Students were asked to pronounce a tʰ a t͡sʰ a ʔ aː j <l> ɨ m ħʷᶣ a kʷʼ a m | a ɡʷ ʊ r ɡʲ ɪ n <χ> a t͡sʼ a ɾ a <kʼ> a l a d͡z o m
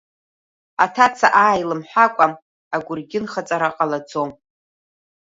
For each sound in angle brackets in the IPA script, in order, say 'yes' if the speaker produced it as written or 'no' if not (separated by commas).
yes, yes, no